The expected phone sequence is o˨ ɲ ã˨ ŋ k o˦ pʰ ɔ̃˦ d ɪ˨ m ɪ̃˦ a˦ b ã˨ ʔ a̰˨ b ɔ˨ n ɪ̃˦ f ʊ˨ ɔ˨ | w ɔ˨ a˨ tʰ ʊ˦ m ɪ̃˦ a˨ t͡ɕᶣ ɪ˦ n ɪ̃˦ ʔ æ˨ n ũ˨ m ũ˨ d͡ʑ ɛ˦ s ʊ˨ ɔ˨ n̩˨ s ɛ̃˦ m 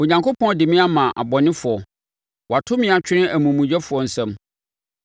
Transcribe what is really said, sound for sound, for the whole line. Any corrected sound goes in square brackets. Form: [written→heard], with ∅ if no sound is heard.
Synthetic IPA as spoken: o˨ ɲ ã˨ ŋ k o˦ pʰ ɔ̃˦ d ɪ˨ m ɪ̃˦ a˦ [b→m] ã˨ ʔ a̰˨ b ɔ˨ n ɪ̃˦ f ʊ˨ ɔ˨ | w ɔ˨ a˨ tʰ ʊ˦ m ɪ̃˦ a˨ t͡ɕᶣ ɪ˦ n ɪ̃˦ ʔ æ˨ [n→m] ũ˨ m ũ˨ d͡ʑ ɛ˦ [s→f] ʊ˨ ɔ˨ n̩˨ s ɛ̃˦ m